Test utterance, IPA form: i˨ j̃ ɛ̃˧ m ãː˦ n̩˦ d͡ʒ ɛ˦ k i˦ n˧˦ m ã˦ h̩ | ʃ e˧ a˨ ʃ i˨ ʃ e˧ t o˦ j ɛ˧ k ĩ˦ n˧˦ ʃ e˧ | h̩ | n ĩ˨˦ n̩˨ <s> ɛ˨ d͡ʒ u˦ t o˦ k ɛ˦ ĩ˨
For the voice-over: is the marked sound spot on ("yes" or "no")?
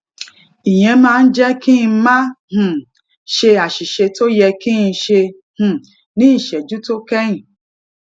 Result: no